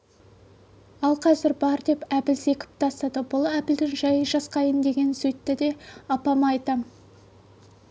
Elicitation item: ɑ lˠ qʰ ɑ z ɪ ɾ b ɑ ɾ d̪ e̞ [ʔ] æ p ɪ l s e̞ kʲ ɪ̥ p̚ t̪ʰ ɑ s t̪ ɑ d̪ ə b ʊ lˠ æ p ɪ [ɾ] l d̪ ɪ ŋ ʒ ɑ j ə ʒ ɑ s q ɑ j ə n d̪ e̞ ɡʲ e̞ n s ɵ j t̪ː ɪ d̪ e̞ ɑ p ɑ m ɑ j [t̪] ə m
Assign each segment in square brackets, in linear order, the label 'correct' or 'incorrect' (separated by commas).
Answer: incorrect, incorrect, correct